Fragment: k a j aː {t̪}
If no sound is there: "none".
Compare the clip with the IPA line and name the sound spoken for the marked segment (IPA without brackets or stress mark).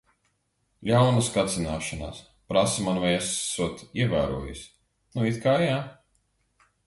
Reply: none